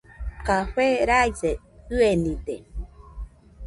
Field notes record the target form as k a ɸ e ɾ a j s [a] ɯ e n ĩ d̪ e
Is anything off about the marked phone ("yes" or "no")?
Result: yes